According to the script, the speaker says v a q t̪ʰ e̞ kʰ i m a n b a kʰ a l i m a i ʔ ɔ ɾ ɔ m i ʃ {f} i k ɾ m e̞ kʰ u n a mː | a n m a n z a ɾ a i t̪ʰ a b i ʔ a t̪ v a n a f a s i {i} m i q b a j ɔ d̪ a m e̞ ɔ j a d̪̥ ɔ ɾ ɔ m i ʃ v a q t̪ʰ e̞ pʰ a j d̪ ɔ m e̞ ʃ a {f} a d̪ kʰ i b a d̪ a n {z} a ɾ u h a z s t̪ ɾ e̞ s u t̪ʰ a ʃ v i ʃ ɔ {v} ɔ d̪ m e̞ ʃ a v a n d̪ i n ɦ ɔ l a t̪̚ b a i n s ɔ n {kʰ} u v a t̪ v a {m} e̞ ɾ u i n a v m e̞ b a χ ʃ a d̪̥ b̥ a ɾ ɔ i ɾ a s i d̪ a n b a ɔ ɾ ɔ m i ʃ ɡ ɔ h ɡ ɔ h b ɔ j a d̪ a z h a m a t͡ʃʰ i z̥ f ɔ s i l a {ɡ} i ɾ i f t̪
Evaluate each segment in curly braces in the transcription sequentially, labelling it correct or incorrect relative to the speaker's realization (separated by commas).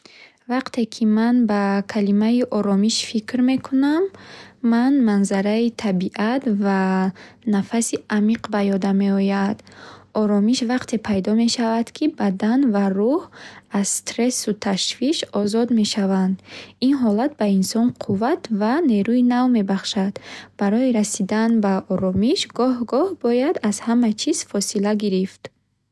correct, incorrect, incorrect, incorrect, incorrect, incorrect, incorrect, correct